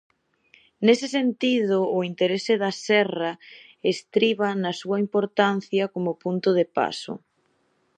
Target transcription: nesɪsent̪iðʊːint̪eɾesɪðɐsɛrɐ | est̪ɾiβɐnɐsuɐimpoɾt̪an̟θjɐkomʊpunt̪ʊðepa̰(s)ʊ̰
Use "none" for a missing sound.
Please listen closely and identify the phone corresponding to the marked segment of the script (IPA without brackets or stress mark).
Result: s